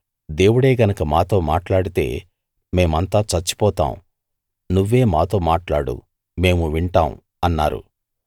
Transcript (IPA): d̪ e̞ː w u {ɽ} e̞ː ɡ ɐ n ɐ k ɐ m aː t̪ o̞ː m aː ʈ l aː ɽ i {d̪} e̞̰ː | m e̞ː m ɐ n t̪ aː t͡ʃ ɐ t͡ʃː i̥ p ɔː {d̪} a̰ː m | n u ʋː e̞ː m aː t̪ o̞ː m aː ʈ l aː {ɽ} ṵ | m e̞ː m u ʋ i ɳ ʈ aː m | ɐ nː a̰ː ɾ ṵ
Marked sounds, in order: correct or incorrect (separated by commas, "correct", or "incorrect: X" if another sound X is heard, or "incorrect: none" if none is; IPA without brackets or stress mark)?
correct, incorrect: t̪, incorrect: t̪, correct